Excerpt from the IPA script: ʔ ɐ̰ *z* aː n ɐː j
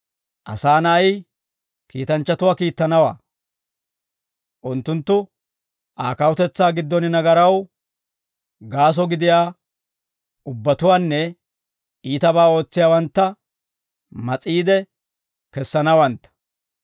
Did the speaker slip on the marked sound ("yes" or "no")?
yes